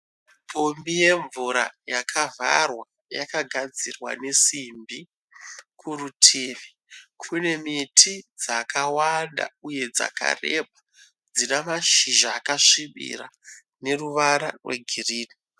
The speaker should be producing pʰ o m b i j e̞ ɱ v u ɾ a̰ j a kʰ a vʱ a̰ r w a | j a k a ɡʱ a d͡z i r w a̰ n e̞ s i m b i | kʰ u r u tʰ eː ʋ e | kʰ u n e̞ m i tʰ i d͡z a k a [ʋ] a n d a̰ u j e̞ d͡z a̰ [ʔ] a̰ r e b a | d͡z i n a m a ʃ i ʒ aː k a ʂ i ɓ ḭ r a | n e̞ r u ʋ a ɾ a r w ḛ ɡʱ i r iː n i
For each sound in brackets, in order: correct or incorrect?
incorrect: w, incorrect: k

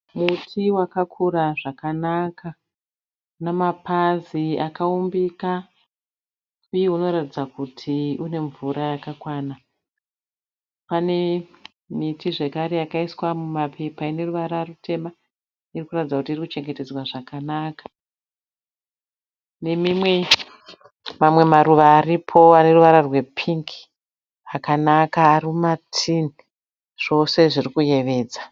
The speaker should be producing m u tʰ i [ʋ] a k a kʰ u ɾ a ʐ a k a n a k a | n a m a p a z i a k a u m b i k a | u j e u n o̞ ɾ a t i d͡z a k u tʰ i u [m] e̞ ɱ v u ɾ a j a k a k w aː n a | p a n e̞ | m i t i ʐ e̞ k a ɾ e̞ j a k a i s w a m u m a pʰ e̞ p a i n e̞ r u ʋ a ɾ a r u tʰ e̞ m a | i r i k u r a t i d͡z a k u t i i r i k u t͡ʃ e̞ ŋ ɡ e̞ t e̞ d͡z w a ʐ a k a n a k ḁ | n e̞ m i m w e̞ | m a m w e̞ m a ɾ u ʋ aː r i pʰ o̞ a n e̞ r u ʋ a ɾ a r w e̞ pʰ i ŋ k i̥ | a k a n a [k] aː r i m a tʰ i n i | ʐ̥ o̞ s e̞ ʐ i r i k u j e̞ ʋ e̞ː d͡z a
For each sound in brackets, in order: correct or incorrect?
incorrect: w, incorrect: n, correct

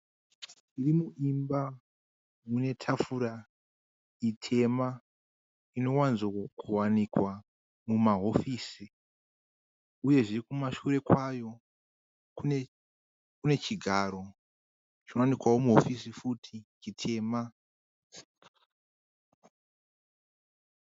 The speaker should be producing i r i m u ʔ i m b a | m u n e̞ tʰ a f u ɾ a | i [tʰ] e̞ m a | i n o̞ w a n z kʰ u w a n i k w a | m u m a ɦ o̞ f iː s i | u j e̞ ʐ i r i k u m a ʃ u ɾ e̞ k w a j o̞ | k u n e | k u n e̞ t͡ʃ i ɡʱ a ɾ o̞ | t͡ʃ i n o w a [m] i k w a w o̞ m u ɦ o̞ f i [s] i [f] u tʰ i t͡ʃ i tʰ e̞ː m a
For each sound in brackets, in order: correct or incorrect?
correct, incorrect: n, correct, correct

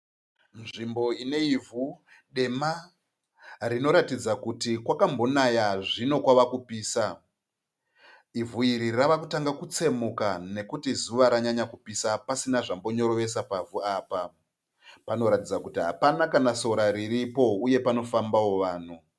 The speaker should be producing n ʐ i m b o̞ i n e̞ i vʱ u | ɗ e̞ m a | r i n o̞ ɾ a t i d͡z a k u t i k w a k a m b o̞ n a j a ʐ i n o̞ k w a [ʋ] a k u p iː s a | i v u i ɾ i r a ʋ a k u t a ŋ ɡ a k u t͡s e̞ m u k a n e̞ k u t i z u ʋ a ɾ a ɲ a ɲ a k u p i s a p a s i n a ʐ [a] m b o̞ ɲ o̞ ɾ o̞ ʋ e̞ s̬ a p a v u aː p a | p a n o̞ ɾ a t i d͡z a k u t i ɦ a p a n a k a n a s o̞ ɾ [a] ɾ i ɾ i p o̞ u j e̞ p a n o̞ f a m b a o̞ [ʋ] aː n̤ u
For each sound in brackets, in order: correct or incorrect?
correct, correct, correct, correct

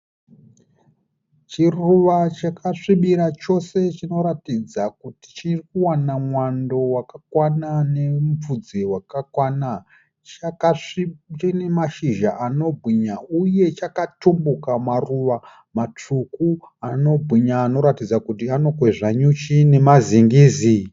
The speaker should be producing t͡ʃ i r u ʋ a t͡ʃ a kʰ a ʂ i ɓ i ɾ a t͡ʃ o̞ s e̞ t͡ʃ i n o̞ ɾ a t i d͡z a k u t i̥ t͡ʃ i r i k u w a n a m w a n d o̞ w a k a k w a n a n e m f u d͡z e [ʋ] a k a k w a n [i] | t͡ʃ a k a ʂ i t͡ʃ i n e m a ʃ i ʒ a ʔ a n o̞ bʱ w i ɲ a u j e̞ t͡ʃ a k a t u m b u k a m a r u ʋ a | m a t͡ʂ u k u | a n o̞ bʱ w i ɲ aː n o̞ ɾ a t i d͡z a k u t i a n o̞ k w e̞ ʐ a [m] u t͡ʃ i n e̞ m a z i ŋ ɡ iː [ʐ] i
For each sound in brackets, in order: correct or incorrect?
incorrect: w, incorrect: a, incorrect: ɲ, incorrect: z

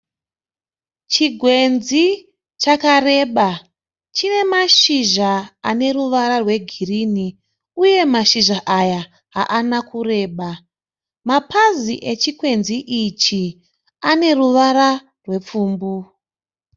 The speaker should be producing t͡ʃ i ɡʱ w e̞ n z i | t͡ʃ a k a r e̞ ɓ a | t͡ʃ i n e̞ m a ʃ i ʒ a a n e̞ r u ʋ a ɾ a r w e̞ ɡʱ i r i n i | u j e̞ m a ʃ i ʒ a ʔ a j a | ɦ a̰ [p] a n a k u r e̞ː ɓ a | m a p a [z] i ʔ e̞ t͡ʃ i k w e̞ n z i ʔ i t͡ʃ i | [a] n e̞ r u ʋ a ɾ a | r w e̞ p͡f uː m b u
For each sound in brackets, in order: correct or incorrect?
incorrect: ʔ, correct, correct

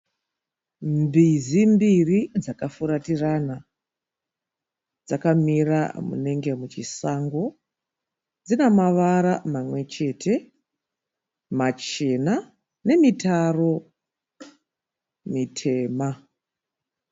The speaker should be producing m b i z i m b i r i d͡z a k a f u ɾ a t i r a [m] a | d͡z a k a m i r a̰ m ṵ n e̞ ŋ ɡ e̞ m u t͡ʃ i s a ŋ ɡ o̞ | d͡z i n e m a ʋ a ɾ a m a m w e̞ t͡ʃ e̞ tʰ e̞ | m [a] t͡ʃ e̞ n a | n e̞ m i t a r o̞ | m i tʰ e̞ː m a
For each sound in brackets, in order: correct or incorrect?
incorrect: n, correct

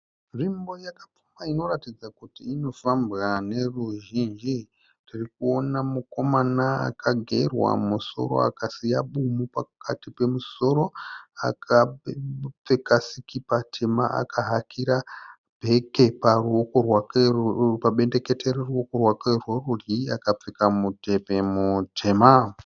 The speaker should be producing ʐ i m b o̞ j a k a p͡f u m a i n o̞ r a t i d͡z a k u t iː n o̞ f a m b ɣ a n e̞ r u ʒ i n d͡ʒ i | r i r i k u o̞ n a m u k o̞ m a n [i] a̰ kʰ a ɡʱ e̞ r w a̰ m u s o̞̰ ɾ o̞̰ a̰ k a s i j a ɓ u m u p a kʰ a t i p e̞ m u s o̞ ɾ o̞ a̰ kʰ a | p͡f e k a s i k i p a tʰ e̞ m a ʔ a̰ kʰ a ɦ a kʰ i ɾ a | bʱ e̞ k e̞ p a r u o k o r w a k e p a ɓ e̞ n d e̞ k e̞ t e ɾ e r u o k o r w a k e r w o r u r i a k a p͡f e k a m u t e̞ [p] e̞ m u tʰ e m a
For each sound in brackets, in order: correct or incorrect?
incorrect: a, correct

